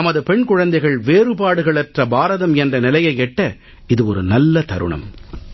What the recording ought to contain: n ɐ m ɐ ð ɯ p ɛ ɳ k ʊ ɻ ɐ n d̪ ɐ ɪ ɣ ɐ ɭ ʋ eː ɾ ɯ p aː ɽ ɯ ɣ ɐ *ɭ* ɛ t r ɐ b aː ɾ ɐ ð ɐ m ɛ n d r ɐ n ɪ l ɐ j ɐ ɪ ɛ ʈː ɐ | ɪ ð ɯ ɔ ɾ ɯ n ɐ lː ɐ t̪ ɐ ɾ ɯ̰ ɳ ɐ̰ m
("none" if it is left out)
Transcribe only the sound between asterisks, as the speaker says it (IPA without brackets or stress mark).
ɭ